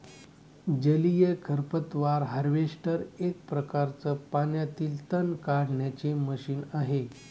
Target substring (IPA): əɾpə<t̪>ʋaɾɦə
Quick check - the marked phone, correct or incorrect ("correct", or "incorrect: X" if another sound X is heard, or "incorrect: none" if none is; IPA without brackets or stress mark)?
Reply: correct